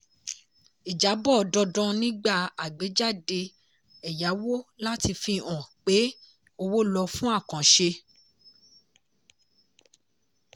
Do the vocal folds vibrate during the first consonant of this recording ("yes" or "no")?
yes